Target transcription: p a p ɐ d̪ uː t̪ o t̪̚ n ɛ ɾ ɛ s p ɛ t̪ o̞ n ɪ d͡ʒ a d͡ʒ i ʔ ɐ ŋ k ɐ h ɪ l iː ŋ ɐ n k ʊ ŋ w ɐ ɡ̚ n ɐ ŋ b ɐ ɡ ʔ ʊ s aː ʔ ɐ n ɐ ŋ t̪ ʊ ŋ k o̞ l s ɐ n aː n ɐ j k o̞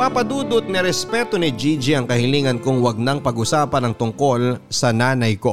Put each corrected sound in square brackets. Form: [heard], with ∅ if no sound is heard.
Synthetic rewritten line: p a p ɐ d̪ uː [d̪] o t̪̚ n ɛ ɾ ɛ s p ɛ t̪ o̞ n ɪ d͡ʒ [i] d͡ʒ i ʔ ɐ ŋ k ɐ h ɪ l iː ŋ ɐ n k ʊ ŋ w ɐ ɡ̚ n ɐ ŋ [p] ɐ ɡ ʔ ʊ s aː [p] ɐ n ɐ ŋ t̪ ʊ ŋ k o̞ l s ɐ n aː n ɐ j k o̞